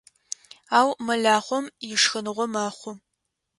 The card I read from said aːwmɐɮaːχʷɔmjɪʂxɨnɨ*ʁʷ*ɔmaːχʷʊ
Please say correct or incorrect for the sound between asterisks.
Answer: correct